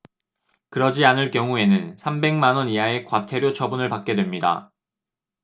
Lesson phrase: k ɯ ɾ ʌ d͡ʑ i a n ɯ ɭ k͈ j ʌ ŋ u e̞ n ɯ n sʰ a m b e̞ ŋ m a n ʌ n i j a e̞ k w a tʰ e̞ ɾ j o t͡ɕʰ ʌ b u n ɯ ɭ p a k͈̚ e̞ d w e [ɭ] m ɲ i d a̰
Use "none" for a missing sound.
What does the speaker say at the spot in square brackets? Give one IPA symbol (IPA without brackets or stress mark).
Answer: none